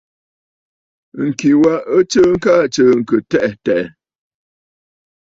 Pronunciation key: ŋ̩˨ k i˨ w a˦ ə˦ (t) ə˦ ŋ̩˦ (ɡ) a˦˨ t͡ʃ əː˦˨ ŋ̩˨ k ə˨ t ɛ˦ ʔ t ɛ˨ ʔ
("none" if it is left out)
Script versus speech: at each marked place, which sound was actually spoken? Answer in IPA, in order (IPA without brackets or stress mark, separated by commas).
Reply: t͡ʃ, k